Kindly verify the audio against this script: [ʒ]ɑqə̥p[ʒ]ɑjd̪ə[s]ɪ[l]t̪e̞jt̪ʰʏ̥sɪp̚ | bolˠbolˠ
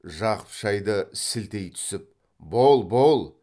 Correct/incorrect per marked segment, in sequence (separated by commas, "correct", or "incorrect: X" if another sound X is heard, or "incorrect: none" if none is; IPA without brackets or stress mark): correct, incorrect: ʃ, correct, correct